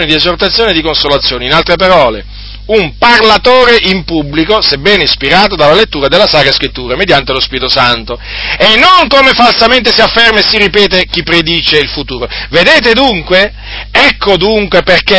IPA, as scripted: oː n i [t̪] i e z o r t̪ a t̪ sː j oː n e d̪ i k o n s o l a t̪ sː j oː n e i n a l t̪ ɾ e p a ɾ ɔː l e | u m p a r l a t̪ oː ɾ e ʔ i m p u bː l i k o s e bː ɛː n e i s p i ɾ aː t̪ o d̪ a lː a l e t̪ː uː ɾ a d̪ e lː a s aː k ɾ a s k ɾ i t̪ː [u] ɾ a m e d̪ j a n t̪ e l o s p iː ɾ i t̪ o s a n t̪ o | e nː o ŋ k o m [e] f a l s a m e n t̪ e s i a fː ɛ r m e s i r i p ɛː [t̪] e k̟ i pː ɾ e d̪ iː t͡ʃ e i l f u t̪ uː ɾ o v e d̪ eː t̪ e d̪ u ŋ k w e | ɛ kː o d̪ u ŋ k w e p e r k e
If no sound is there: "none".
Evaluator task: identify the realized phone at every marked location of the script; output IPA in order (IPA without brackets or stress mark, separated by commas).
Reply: d̪, uː, e, t̪